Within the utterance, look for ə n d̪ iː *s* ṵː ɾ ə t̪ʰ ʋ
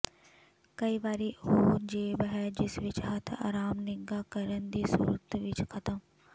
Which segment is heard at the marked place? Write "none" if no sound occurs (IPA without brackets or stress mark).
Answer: s